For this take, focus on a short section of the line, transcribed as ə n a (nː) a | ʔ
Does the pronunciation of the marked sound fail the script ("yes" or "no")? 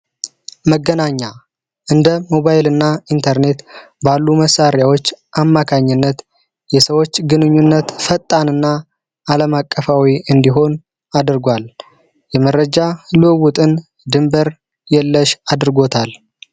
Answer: yes